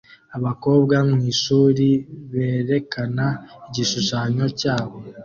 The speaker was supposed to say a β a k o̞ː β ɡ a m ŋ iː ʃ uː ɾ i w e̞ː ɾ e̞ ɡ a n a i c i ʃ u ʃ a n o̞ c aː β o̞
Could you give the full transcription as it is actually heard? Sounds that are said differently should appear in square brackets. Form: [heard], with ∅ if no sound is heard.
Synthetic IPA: a β a k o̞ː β ɡ a m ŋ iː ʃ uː ɾ i [β] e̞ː ɾ e̞ [k] a n a i [ɟ] i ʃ u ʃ a [ɲ] o̞ c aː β o̞

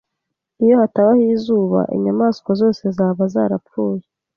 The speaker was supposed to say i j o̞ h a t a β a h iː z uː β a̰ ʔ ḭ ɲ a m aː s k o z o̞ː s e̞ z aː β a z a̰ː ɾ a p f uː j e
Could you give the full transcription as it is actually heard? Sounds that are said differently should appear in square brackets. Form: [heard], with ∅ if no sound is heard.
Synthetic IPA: i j o̞ h a t a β a h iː z uː β a̰ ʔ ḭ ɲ a m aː s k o z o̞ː s e̞ z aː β a z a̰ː ɾ a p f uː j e

